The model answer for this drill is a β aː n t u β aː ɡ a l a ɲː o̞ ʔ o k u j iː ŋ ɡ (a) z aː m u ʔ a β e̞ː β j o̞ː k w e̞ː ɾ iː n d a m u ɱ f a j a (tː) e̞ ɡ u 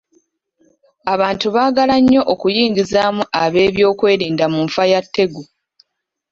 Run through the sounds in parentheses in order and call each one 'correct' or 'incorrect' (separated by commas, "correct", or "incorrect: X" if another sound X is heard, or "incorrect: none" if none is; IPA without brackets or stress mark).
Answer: incorrect: i, correct